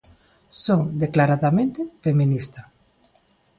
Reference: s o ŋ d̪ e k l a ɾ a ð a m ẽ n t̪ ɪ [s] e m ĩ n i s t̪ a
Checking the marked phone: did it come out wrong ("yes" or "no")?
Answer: yes